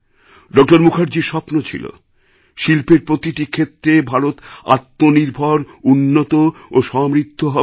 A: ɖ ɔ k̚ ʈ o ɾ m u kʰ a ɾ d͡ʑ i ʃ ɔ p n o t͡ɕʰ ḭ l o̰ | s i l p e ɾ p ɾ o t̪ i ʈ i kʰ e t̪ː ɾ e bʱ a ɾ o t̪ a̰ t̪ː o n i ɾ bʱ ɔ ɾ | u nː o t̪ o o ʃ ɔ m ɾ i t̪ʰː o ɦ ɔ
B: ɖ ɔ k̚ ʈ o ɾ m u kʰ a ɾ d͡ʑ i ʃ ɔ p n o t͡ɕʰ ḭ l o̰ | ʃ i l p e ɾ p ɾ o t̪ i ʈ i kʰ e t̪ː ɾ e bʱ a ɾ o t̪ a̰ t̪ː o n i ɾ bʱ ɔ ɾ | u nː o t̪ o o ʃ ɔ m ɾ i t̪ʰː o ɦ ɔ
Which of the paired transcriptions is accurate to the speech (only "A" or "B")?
B